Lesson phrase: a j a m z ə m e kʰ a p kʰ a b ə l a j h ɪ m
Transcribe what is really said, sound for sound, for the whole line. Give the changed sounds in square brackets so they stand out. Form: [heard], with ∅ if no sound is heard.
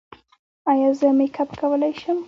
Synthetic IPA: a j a [∅] z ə m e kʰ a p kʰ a [w] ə l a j [ʃ] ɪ m